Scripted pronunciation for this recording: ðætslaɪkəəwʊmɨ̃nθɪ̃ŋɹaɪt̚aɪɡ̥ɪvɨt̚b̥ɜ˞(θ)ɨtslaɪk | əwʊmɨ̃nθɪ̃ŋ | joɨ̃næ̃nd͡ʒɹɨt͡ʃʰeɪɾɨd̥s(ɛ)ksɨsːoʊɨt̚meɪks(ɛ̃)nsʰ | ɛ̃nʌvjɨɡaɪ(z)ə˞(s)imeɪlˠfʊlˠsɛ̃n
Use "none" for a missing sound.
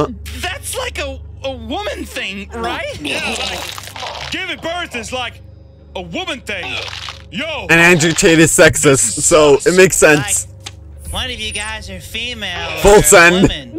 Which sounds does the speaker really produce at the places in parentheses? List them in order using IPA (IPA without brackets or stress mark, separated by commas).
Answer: θ, ɛ, ɛ̃, z, f